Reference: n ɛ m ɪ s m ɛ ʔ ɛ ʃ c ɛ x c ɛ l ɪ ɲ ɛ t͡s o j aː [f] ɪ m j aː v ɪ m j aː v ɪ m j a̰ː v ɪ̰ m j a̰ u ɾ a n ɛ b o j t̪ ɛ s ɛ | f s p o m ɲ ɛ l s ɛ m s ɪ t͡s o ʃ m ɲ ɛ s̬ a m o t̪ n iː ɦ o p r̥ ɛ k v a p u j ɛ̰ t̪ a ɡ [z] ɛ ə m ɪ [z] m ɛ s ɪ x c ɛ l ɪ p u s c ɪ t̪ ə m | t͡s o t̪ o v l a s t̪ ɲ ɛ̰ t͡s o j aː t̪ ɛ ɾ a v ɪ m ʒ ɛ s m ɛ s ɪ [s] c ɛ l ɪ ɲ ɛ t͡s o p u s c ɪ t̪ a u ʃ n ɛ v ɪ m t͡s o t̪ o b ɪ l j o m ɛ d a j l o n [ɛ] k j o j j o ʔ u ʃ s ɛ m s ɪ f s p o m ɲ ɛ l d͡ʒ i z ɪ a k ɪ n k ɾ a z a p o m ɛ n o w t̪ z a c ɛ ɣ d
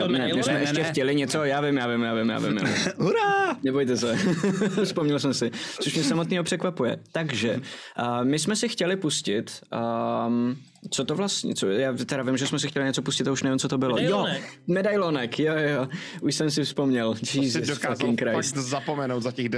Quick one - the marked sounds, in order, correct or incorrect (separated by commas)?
incorrect, incorrect, incorrect, incorrect, correct